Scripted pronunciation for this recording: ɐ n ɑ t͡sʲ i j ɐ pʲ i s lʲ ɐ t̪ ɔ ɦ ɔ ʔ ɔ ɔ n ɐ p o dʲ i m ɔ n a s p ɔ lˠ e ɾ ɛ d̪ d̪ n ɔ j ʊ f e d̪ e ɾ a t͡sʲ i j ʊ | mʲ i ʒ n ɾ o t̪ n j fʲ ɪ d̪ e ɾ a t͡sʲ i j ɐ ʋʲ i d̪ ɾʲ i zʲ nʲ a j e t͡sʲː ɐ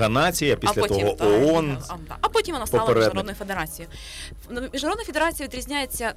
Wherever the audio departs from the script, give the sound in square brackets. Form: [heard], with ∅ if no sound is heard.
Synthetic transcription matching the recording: ɐ n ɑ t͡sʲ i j ɐ pʲ i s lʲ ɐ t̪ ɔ ɦ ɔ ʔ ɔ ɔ n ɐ p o [tʲ] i m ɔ n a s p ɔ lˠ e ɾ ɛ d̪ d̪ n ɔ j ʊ f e d̪ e ɾ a t͡sʲ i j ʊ | mʲ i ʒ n ɾ o [d̪] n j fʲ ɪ d̪ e ɾ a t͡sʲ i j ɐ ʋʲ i d̪ ɾʲ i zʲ nʲ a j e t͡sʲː ɐ